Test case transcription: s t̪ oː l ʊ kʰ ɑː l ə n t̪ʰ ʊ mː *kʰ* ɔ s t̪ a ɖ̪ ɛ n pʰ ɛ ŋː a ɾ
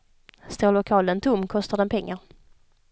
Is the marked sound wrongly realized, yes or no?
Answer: no